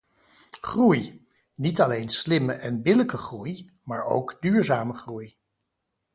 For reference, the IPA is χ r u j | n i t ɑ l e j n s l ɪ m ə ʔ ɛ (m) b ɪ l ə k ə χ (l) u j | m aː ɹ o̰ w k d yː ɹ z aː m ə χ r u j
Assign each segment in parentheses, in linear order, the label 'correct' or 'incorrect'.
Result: incorrect, incorrect

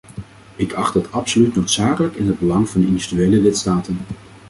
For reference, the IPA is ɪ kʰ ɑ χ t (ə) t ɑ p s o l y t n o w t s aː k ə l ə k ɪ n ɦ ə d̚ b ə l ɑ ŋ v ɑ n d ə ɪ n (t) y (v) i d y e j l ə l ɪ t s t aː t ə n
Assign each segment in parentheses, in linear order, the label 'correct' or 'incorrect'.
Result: correct, incorrect, correct

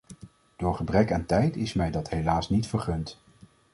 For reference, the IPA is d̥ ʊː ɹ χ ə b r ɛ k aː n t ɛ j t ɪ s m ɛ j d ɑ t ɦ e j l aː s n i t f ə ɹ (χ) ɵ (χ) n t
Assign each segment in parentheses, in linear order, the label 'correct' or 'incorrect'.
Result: correct, incorrect

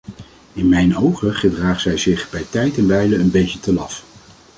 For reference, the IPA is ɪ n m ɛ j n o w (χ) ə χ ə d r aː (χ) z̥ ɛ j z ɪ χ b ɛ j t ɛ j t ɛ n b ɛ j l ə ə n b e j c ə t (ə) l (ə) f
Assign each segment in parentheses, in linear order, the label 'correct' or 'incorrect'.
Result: correct, correct, correct, incorrect

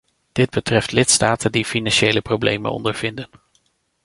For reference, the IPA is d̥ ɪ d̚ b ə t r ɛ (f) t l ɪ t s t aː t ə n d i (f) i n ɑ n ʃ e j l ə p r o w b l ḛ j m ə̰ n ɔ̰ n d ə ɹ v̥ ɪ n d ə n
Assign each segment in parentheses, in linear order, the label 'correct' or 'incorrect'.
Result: correct, correct

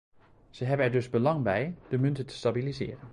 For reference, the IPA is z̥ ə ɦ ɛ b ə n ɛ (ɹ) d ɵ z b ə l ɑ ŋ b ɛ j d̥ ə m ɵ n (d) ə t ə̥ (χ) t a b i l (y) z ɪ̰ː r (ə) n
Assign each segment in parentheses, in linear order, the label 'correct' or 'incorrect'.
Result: correct, incorrect, incorrect, incorrect, correct

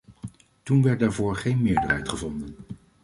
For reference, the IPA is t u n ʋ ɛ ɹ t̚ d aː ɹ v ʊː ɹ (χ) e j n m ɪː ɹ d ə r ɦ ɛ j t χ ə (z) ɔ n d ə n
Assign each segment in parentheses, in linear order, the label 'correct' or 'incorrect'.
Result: correct, incorrect

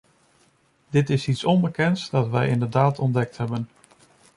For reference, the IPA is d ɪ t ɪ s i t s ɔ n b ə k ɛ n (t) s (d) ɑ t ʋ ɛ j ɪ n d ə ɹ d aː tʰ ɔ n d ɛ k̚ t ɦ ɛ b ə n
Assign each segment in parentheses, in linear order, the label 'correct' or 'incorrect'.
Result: correct, correct

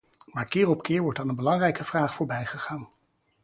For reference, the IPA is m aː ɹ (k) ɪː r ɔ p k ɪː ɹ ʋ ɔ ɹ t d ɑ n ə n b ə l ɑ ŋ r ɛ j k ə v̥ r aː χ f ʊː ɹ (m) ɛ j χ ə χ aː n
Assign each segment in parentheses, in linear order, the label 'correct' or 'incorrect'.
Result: correct, incorrect

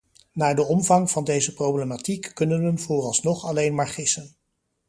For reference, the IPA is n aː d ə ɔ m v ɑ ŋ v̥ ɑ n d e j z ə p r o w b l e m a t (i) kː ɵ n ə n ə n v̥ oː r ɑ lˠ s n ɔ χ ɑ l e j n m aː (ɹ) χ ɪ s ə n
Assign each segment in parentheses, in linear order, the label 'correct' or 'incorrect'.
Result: correct, correct

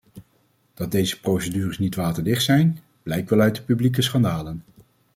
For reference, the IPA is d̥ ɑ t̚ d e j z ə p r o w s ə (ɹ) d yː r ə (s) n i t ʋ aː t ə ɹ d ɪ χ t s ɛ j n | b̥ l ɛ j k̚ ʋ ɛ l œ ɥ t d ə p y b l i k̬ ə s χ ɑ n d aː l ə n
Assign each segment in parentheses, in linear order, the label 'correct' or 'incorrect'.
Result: incorrect, correct

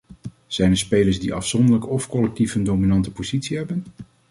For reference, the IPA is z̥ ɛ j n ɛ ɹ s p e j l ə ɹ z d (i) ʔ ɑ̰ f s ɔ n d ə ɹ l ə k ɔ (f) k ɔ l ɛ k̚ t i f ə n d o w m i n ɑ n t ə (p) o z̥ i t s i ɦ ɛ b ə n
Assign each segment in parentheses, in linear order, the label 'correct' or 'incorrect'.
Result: correct, correct, correct

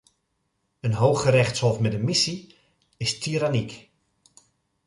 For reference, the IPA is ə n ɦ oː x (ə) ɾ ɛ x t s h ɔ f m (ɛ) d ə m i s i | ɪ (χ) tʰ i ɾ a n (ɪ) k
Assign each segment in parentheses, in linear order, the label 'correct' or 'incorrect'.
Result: correct, correct, incorrect, incorrect

